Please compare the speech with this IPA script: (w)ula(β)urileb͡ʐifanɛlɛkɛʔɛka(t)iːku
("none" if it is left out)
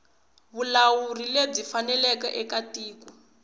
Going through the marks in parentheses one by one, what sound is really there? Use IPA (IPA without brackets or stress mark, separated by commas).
β, w, t